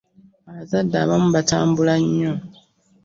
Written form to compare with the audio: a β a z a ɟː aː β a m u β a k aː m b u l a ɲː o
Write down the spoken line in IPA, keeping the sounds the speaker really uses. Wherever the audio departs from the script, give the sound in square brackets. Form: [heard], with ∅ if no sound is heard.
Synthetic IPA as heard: a β a z a [dː] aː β a m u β a [t] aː m b u l a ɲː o